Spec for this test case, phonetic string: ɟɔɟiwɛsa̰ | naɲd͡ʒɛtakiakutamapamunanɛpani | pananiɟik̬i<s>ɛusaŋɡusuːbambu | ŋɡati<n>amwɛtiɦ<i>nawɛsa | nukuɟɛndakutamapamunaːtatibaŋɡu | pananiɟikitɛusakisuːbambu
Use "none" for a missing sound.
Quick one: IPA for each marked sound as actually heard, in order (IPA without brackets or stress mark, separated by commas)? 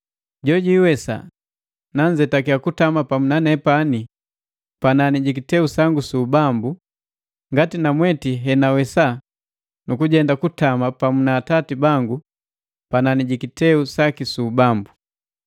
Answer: t, n, ɛ